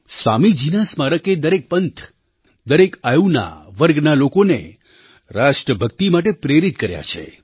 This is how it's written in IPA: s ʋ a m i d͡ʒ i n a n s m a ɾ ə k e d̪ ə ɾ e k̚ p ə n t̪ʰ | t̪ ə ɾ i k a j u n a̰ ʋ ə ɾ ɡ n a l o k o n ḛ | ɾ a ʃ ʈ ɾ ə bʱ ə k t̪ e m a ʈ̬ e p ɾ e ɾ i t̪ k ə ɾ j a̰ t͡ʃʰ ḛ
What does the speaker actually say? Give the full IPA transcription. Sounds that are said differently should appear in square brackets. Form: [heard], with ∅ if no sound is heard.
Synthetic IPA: s ʋ a m i d͡ʒ i n a [∅] s m a ɾ ə k e d̪ ə ɾ e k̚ p ə n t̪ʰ | [d̪] ə ɾ [e] k a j u n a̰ ʋ ə ɾ ɡ n a l o k o n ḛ | ɾ a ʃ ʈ ɾ ə bʱ ə k t̪ [i] m a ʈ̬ e p ɾ e ɾ i t̪ k ə ɾ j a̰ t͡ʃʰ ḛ